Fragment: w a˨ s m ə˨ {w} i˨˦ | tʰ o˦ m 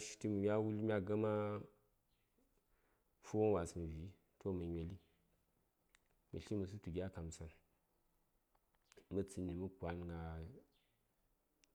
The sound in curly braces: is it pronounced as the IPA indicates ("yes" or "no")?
no